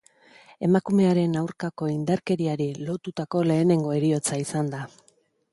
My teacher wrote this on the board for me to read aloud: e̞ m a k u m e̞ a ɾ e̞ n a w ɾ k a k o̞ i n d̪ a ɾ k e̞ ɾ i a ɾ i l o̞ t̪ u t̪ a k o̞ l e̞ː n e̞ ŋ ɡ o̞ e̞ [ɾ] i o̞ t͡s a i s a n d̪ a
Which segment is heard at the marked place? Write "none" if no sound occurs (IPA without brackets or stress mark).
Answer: ɾ